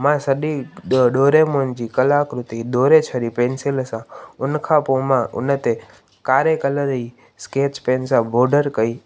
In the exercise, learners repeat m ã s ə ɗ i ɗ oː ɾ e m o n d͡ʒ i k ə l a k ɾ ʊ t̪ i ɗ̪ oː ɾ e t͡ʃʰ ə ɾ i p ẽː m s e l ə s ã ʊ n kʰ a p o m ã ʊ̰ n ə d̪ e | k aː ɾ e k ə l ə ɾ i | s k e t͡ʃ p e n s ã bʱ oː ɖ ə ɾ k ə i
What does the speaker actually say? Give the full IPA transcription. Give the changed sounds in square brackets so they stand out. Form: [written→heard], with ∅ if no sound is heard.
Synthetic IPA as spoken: m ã s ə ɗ i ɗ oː ɾ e m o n d͡ʒ i k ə l a k ɾ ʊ t̪ i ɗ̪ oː ɾ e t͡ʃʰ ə ɾ i p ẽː [m→n] s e l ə s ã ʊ n kʰ a p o m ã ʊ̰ n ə [d̪→t̪] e | k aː ɾ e k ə l ə ɾ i | s k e t͡ʃ p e n s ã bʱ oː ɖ ə ɾ k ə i